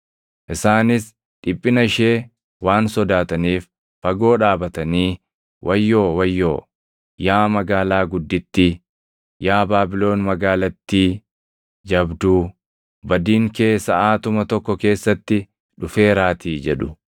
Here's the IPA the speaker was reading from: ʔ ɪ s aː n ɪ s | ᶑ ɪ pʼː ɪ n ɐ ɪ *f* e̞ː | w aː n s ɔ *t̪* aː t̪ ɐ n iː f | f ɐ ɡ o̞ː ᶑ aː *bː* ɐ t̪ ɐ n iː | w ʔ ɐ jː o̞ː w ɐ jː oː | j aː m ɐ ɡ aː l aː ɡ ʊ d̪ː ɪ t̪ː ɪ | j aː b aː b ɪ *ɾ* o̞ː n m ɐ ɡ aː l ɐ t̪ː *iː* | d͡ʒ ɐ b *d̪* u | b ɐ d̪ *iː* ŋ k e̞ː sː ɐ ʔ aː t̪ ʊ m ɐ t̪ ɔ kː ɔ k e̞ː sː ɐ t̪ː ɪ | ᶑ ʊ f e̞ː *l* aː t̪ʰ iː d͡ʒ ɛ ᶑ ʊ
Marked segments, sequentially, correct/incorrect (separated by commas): incorrect, incorrect, incorrect, incorrect, correct, correct, correct, incorrect